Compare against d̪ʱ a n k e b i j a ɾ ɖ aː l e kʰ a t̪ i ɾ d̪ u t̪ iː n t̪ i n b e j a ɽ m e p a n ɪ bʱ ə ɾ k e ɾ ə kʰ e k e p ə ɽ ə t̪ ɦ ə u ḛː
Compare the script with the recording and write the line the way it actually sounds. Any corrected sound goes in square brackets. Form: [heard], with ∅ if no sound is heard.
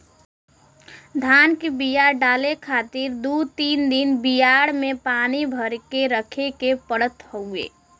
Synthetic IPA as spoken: d̪ʱ a n k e b i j a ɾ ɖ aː l e kʰ a t̪ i ɾ d̪ u t̪ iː n [d̪] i n b [i] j a ɽ m e p a n [i] bʱ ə ɾ k e ɾ ə kʰ e k e p ə ɽ ə t̪ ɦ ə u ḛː